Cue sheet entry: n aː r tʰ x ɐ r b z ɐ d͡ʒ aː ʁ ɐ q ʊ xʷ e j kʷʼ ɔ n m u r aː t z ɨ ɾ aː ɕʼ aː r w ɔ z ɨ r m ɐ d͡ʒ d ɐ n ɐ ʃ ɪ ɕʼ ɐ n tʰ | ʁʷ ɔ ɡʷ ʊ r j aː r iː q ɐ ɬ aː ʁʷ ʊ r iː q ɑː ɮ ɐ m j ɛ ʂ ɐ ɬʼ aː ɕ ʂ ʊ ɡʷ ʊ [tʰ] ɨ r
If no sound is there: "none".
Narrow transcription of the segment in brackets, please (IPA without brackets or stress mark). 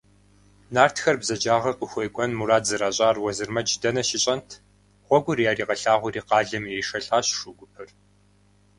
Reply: pʰ